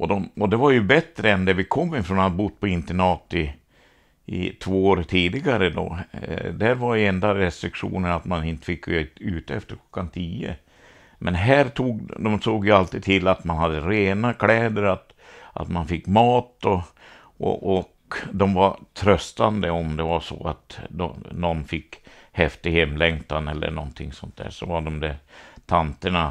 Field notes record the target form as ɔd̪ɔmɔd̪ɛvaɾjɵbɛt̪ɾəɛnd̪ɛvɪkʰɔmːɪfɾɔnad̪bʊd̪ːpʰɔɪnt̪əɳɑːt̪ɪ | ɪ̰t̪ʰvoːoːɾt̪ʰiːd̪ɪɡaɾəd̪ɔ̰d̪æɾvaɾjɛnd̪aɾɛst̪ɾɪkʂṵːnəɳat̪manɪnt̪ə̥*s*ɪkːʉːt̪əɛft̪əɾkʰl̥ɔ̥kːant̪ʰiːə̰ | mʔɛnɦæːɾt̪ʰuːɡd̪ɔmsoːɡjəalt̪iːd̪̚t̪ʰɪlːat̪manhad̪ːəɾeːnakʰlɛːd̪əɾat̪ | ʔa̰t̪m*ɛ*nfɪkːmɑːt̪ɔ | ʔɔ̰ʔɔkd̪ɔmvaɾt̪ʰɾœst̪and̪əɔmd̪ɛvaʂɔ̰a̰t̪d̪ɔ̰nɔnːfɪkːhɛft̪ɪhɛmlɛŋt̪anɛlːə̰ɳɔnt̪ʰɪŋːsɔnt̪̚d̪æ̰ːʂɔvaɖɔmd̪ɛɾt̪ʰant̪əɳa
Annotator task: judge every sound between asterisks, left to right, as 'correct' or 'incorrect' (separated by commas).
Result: incorrect, incorrect